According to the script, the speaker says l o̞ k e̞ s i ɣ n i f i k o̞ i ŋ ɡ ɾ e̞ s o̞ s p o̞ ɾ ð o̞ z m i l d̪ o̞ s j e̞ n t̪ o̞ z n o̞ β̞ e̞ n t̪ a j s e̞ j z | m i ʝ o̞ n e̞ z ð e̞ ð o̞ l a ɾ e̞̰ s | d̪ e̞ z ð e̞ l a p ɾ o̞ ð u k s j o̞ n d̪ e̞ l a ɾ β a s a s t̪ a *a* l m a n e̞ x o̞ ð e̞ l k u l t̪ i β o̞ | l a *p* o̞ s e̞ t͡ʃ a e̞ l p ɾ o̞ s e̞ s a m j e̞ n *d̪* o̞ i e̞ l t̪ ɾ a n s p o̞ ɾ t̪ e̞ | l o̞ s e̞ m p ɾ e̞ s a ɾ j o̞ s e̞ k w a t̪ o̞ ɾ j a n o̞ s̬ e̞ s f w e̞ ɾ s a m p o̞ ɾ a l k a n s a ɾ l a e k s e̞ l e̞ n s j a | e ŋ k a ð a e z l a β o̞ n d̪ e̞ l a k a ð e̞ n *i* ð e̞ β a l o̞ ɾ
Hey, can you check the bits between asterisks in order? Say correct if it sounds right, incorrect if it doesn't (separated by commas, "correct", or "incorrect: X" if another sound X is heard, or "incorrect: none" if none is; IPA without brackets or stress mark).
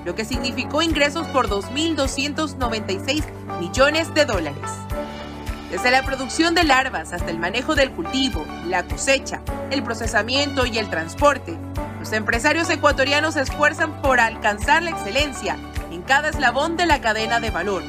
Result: incorrect: e, incorrect: k, incorrect: t̪, incorrect: a